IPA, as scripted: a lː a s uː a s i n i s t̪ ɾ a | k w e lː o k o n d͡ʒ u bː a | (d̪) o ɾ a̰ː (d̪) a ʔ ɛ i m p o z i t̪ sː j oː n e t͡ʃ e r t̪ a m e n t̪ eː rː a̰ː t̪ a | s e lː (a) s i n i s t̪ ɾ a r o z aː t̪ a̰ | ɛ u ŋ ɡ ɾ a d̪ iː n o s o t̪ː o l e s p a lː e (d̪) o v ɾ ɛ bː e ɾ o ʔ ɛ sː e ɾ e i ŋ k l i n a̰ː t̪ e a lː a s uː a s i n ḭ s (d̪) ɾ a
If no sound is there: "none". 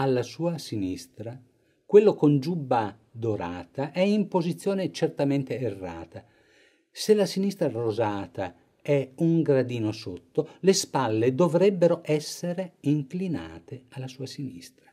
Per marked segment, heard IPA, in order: d̪, t̪, a, d̪, t̪

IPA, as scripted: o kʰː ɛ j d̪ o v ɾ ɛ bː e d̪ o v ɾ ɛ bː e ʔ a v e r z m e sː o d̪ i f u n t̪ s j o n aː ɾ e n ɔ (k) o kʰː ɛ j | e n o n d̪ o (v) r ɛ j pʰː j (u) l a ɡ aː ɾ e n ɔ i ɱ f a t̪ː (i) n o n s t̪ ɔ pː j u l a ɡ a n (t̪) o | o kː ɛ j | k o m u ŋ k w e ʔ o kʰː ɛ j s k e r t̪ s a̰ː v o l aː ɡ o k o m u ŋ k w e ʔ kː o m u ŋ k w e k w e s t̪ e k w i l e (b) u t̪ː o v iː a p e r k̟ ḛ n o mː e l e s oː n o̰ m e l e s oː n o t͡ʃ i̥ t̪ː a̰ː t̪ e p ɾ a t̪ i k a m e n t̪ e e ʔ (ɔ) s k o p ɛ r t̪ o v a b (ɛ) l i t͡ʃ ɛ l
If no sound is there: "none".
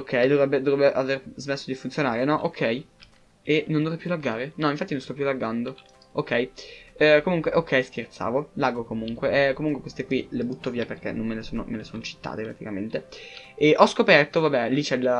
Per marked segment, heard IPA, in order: ʔ, v, u, i, d̪, b, ɔ, ɛ

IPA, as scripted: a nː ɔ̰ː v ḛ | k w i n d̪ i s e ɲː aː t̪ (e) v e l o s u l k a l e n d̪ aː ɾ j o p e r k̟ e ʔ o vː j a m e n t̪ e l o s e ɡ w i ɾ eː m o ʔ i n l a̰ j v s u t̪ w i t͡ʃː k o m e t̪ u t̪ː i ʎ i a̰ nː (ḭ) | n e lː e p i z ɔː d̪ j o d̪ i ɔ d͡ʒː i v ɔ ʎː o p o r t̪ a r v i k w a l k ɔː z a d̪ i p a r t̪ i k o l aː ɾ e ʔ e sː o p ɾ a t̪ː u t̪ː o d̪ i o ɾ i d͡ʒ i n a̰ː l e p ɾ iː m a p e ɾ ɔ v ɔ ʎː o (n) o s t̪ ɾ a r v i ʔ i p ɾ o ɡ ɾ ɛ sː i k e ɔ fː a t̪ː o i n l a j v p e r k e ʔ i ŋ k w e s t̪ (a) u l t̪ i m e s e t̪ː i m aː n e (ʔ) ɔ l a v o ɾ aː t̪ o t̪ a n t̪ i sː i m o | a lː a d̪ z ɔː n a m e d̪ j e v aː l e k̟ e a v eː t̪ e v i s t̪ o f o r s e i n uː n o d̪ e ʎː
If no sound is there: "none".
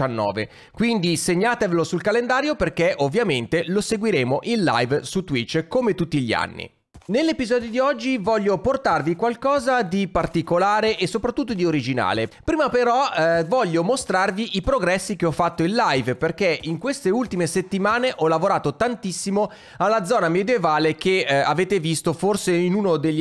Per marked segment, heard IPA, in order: e, ḭ, m, e, ʔ

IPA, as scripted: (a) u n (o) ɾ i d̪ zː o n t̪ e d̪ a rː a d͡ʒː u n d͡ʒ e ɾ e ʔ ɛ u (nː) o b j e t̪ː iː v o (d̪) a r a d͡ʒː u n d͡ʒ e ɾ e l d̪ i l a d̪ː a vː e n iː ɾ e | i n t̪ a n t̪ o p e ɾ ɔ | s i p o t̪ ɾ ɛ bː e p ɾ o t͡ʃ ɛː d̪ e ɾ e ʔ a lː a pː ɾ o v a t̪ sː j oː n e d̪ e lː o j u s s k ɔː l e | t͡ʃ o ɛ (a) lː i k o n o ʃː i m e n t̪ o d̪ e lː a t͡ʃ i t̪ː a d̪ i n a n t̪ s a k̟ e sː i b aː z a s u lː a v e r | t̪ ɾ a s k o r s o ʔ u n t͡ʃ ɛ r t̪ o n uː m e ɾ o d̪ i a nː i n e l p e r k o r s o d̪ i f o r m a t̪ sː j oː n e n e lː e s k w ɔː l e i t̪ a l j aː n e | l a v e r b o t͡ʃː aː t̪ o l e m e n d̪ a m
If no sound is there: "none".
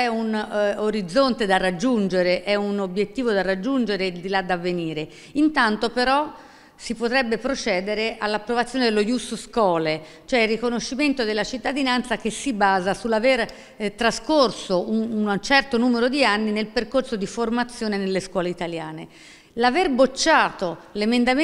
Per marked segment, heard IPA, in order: ɛ, o, n, d̪, i

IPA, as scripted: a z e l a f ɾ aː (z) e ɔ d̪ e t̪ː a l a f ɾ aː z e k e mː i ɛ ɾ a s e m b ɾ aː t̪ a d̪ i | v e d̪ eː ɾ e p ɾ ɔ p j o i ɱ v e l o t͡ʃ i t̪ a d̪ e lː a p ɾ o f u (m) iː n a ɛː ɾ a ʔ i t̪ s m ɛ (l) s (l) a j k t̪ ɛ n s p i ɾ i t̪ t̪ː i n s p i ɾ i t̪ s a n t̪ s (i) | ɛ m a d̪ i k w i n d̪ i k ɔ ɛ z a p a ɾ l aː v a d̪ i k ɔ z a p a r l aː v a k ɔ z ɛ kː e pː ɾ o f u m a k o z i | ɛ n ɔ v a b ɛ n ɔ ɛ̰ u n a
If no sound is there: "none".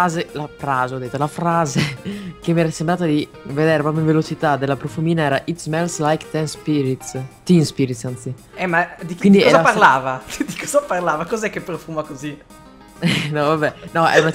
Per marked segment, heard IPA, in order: z, m, l, l, i

